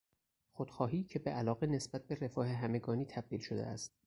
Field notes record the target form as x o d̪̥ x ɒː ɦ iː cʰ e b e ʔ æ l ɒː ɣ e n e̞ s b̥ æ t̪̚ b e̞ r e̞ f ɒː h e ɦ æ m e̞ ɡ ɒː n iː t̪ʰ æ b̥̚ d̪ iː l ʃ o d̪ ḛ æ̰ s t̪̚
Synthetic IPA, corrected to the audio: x o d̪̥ x ɒː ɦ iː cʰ e b e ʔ æ l ɒː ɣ e n e̞ s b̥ æ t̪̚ b e̞ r e̞ f ɒː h e ɦ æ m e̞ ɡ ɒː n iː t̪ʰ æ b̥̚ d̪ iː l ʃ o d̪ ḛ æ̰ s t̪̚